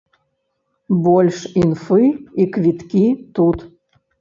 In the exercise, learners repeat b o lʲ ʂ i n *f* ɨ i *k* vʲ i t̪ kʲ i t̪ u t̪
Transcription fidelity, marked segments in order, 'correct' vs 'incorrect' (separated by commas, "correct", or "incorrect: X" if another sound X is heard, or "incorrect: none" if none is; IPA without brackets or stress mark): correct, correct